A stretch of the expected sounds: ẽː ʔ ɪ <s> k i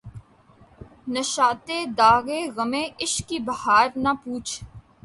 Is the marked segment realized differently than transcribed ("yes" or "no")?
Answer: yes